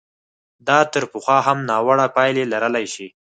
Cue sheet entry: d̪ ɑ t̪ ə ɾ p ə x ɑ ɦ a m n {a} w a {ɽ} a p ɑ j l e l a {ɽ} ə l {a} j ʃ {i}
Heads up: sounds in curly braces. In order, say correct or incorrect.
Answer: incorrect: ɑ, correct, incorrect: ɾ, correct, correct

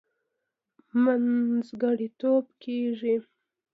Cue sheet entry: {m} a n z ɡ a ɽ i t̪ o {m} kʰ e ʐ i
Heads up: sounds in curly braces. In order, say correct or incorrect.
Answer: correct, incorrect: b

